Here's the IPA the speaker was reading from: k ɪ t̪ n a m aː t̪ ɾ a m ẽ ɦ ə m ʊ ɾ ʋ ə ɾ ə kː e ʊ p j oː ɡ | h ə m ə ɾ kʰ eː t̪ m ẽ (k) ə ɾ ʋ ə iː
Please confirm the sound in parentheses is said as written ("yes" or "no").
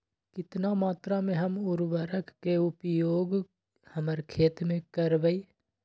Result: yes